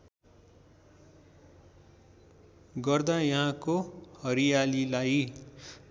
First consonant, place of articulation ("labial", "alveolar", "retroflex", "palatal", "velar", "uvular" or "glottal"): velar